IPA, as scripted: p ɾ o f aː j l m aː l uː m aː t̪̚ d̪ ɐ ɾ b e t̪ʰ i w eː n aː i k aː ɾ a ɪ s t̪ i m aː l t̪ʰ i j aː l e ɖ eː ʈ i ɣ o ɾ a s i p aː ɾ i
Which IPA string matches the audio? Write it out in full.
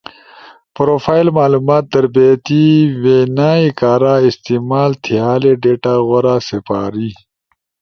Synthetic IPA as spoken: p ɾ o f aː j l m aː l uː m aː t̪̚ d̪ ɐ ɾ b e t̪ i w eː n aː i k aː ɾ a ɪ s t̪ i m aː l t̪ʰ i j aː l e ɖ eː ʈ a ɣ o ɾ a s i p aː ɾ i